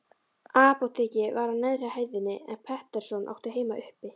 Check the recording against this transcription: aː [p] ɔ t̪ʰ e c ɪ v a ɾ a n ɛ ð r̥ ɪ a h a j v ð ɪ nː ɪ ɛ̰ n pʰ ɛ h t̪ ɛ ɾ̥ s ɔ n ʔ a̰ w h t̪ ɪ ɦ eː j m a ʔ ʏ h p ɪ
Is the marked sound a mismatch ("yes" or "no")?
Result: no